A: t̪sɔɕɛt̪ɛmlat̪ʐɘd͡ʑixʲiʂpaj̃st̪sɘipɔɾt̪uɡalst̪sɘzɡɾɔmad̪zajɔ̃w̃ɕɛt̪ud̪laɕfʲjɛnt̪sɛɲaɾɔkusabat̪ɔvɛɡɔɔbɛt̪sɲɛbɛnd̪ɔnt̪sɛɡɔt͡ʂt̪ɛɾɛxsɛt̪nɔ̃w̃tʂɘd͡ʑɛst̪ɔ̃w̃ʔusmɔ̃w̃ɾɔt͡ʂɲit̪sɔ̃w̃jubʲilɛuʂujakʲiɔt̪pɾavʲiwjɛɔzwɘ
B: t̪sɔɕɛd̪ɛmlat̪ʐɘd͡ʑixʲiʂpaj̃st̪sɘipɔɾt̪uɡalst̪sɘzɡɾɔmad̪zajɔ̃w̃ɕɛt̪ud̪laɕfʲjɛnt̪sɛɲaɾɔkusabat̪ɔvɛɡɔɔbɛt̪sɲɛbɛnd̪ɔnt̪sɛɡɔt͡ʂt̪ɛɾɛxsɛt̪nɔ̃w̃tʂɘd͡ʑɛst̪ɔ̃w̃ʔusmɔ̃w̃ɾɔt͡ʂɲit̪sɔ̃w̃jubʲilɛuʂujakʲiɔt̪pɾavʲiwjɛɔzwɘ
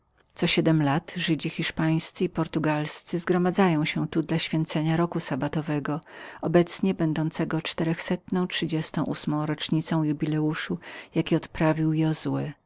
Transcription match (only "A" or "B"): B